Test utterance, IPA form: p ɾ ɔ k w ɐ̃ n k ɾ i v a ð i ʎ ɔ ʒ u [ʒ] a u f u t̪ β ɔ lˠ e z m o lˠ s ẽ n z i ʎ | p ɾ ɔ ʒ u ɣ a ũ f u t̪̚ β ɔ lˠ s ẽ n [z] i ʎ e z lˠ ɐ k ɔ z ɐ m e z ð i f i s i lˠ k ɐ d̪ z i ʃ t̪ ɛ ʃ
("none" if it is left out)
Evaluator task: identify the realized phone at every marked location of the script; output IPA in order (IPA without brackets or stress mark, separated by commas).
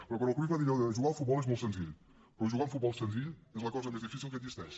ɣ, z